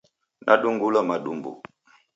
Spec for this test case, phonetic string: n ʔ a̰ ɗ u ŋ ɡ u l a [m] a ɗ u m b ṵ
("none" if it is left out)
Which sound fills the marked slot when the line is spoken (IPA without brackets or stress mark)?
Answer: m